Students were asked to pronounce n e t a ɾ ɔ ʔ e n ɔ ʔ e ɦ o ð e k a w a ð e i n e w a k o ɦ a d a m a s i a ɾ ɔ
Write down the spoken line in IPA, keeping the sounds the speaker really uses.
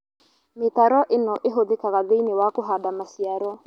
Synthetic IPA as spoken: m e t a ɾ ɔ ʔ e n ɔ ʔ e ɦ o ð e k a ɣ a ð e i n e w a k o ɦ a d a m a s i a ɾ ɔ